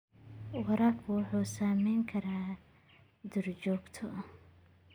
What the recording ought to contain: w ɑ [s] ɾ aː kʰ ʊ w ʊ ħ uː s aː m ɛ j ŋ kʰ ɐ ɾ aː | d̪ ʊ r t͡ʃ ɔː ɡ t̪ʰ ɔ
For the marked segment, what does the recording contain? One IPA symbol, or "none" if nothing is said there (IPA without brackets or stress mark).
none